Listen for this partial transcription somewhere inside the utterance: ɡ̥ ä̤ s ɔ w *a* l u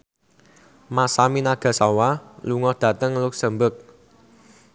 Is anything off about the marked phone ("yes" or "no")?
no